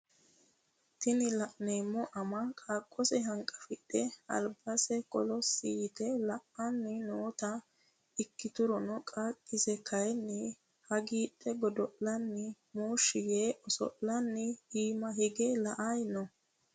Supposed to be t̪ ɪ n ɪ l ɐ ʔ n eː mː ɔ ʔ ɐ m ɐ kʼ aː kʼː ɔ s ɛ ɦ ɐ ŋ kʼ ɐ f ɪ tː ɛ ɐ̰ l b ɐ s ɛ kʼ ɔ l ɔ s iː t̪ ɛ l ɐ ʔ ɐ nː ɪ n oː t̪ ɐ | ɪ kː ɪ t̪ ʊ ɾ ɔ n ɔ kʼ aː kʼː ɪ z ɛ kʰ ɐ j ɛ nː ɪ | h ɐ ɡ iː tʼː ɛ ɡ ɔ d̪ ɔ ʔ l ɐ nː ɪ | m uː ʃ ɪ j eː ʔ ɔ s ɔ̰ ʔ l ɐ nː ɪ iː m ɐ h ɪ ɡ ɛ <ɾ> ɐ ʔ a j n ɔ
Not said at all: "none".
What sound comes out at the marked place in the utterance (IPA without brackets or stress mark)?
l